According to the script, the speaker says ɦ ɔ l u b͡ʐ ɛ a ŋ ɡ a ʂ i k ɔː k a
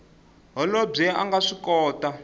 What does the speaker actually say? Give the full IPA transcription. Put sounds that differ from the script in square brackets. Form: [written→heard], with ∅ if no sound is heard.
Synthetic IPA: ɦ ɔ l [u→ɔ] b͡ʐ ɛ a ŋ ɡ a ʂ i k ɔː [k→t] a